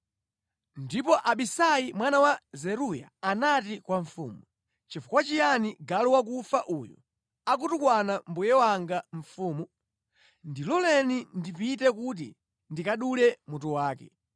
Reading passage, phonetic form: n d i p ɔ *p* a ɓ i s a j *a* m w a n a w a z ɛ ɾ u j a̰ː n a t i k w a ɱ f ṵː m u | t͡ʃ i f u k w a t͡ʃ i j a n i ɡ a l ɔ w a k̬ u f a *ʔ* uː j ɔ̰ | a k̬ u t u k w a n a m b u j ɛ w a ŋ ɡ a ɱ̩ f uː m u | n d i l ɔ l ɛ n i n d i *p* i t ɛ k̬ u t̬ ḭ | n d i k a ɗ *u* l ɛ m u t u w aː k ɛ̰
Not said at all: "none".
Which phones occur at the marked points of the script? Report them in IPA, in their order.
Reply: ʔ, i, ʔ, p, u

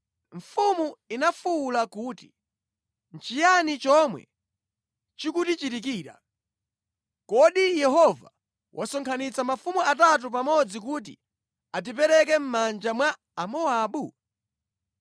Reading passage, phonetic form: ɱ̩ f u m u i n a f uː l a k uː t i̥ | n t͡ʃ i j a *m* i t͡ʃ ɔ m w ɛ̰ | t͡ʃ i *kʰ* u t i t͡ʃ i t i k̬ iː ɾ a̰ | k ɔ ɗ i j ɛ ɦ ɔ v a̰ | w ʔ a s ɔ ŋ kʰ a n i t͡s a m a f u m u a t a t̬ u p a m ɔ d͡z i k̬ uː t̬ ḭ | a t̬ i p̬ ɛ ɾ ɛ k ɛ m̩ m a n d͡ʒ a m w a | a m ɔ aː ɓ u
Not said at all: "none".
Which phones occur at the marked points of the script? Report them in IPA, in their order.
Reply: n, k

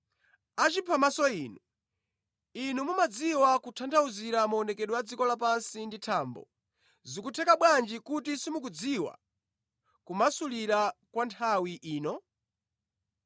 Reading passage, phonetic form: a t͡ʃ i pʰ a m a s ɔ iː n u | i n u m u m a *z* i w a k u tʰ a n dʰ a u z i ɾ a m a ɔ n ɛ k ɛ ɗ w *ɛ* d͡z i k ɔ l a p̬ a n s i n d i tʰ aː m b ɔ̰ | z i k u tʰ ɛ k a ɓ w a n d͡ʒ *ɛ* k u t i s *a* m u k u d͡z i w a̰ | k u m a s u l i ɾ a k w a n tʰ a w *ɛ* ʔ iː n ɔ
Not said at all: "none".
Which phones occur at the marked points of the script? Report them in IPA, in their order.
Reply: d͡z, a, i, i, i

